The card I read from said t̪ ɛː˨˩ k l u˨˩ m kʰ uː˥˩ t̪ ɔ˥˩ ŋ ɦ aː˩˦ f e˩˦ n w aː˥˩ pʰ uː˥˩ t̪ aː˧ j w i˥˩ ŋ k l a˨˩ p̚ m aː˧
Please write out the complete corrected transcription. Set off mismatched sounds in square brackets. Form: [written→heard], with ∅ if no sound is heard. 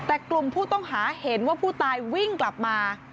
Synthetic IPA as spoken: t̪ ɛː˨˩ k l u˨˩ m [kʰ→pʰ] uː˥˩ t̪ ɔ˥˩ ŋ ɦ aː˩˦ [f→h] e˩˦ n w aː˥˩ pʰ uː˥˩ t̪ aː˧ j w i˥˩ ŋ k l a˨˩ p̚ m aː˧